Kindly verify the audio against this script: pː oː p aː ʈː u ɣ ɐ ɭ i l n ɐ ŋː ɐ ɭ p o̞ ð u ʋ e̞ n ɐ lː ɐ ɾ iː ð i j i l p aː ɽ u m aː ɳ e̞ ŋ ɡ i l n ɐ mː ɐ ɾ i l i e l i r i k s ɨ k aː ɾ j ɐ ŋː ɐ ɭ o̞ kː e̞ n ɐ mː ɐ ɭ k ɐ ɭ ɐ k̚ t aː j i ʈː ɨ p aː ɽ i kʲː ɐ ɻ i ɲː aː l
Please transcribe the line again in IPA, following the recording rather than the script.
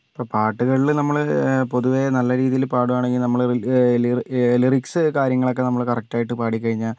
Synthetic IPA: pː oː p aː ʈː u ɣ ɐ ɭ i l n ɐ mː ɐ ɭ p o̞ ð u ʋ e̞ n ɐ lː ɐ ɾ iː ð i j i l p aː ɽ u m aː ɳ e̞ ŋ ɡ i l n ɐ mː ɐ ɭ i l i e l i r i k s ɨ k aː ɾ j ɐ ŋː ɐ ɭ o̞ kː e̞ n ɐ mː ɐ ɭ k ɐ r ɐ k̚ t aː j i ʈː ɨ p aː ɽ i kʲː ɐ ɻ i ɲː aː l

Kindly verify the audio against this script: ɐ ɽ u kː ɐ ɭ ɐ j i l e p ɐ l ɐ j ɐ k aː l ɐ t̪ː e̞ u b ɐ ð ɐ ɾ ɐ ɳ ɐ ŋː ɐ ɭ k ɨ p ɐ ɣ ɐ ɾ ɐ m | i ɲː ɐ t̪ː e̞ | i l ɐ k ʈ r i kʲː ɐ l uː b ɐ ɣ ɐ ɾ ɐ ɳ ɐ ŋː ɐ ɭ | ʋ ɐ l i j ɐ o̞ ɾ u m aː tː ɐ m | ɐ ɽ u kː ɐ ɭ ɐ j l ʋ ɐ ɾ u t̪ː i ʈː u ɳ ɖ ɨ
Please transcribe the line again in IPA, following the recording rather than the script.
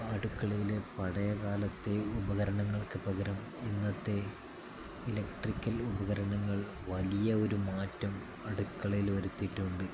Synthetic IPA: ɐ ɽ u kː ɐ ɭ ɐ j i l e p ɐ ɽ ɐ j ɐ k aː l ɐ t̪ː e̞ u b ɐ ɣ ɐ ɾ ɐ ɳ ɐ ŋː ɐ ɭ k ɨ p ɐ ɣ ɐ ɾ ɐ m | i nː ɐ t̪ː e̞ | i l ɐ k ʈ r i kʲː ɐ l u b ɐ ɣ ɐ ɾ ɐ ɳ ɐ ŋː ɐ ɭ | ʋ ɐ l i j ɐ o̞ ɾ u m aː tː ɐ m | ɐ ɽ u kː ɐ ɭ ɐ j l ʋ ɐ ɾ u t̪ː i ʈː u ɳ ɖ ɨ

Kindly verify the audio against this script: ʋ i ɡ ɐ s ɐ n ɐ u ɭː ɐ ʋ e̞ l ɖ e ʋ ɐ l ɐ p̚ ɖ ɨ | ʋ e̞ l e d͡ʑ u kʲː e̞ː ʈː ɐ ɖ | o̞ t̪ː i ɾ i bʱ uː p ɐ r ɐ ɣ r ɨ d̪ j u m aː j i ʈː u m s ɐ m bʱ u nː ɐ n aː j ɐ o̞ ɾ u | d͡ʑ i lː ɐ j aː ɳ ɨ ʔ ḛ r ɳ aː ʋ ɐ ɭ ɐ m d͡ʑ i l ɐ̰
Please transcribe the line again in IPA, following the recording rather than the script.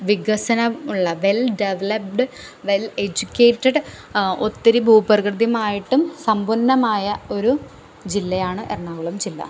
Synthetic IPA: ʋ i ɡ ɐ s ɐ n ɐ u ɭː ɐ ʋ e̞ l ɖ e ʋ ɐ l ɐ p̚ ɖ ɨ | ʋ e̞ l e d͡ʑ u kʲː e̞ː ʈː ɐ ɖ | o̞ t̪ː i ɾ i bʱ uː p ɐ r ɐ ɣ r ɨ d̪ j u m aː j i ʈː u m s ɐ m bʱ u nː ɐ m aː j ɐ o̞ ɾ u | d͡ʑ i lː ɐ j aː ɳ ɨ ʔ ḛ r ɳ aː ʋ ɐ ɭ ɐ m d͡ʑ i lː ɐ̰

